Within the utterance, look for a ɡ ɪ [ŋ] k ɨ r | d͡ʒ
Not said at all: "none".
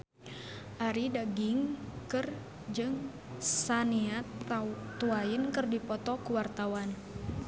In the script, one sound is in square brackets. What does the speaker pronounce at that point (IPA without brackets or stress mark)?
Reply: ŋ